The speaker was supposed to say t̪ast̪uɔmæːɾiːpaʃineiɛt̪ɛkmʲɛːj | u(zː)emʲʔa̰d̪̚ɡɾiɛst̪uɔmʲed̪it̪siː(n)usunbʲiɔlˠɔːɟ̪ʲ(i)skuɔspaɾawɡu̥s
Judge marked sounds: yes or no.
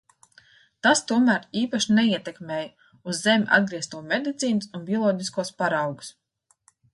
yes, yes, yes

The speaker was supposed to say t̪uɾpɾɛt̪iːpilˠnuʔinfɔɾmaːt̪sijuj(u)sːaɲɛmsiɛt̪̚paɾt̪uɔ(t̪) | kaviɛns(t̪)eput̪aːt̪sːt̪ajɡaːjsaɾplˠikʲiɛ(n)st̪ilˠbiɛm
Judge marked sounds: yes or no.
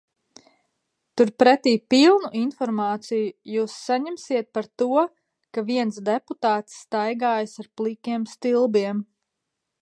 no, no, no, no

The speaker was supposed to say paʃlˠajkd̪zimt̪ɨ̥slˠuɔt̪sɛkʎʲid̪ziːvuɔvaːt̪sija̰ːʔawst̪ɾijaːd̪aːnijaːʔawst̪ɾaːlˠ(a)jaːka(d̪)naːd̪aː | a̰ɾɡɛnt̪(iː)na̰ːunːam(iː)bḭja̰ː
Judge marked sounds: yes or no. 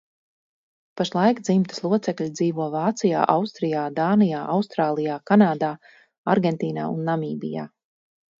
no, no, yes, yes

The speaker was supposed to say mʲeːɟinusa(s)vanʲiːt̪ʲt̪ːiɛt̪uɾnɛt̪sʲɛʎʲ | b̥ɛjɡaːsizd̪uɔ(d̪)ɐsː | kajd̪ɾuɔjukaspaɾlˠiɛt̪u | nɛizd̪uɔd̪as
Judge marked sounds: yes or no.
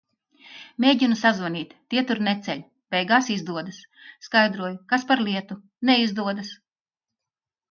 no, yes

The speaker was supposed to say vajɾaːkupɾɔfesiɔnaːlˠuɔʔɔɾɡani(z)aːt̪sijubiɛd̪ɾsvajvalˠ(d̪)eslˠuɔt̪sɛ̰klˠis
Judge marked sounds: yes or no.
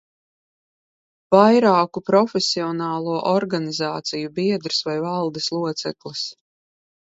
yes, yes

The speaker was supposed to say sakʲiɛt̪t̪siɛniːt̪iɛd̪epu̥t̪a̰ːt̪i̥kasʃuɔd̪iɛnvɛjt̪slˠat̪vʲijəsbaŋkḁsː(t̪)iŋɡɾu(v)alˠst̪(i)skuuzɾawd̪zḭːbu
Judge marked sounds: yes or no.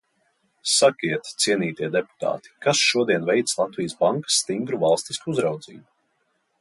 yes, yes, yes

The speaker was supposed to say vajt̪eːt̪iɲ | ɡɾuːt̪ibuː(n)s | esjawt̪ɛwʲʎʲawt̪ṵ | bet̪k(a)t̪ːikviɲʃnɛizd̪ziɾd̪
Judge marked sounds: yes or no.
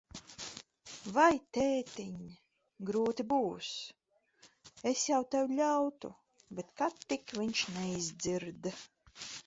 no, yes

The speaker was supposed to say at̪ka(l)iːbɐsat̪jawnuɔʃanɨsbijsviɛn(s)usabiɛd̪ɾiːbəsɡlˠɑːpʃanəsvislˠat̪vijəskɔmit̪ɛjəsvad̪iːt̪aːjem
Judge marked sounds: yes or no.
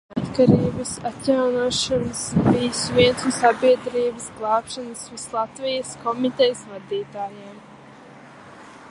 no, yes

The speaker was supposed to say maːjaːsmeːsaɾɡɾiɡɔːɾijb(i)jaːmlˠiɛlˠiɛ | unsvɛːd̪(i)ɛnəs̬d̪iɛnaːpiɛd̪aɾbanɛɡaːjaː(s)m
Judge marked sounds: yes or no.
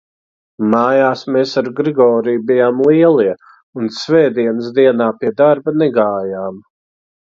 yes, yes, no

